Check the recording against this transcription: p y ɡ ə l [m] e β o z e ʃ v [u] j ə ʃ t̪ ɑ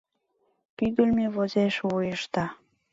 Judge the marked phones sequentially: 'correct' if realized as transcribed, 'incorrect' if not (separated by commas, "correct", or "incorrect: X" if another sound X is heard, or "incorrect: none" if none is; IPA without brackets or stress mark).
correct, correct